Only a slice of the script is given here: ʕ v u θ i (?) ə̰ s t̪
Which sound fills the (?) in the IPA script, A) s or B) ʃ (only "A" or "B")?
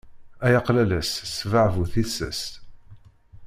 A